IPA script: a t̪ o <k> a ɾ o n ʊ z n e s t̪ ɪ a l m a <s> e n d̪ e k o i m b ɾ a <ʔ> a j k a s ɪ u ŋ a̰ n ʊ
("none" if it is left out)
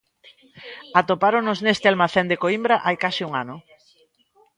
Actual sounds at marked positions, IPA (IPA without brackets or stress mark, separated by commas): p, θ, ʔ